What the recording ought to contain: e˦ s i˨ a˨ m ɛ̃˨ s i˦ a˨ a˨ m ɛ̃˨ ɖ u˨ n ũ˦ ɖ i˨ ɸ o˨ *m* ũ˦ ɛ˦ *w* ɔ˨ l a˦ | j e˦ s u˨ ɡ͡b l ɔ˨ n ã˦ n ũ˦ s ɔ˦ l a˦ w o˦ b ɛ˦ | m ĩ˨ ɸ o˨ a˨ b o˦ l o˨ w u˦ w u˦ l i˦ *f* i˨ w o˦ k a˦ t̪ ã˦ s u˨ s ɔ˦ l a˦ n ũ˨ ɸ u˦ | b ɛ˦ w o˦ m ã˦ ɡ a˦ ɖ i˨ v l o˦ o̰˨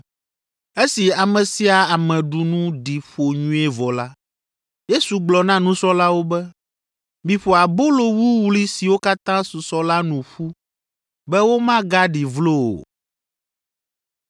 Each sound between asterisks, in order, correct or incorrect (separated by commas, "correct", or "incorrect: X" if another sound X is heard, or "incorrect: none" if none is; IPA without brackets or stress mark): incorrect: ɲ, incorrect: v, incorrect: s